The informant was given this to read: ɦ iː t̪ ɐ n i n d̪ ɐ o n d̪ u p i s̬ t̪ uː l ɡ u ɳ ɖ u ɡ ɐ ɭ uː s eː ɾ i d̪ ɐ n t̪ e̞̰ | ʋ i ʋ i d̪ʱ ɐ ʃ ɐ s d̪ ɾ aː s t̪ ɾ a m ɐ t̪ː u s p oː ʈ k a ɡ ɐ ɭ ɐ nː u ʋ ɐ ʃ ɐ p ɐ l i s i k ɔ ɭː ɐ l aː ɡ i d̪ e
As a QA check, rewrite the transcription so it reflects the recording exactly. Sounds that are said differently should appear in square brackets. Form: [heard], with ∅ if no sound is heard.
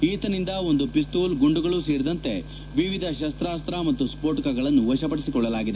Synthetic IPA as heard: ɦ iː t̪ ɐ n i n d̪ ɐ o n d̪ u p i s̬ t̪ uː l ɡ u ɳ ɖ u ɡ ɐ ɭ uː s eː ɾ i d̪ ɐ n t̪ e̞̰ | ʋ i ʋ i d̪ʱ ɐ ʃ ɐ s [t̪] ɾ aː s t̪ ɾ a m ɐ t̪ː u s p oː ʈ k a ɡ ɐ ɭ ɐ nː u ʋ ɐ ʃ ɐ p ɐ [ɽ] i s i k ɔ ɭː ɐ l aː ɡ i d̪ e

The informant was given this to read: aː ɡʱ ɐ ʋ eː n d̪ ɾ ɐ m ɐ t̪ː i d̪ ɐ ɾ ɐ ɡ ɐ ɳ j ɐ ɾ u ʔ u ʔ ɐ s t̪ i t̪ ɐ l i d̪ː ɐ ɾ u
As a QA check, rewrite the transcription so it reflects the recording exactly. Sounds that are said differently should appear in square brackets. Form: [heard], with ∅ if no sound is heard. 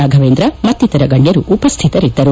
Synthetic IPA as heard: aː ɡʱ ɐ ʋ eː n d̪ ɾ ɐ m ɐ t̪ː i [t̪] ɐ ɾ ɐ ɡ ɐ ɳ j ɐ ɾ u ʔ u [p] ɐ s [t̪ʰ] i t̪ ɐ [ɾ] i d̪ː ɐ ɾ u

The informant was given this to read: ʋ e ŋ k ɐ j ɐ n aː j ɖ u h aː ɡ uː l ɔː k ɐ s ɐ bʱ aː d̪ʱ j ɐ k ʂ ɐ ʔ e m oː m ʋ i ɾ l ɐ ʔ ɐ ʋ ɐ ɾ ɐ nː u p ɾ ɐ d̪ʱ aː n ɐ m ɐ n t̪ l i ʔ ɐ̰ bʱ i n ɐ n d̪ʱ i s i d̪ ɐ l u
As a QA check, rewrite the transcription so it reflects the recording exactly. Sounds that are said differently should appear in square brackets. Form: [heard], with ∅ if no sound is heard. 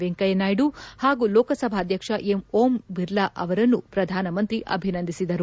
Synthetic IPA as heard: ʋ e ŋ k ɐ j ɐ n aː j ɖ u h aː ɡ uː l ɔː k ɐ s ɐ bʱ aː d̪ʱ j ɐ k ʂ ɐ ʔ e m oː m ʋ i ɾ l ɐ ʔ ɐ ʋ ɐ ɾ ɐ nː u p ɾ ɐ d̪ʱ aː n ɐ m ɐ n t̪ [ɾ] i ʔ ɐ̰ bʱ i n ɐ n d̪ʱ i s i d̪ ɐ [ɾ] u

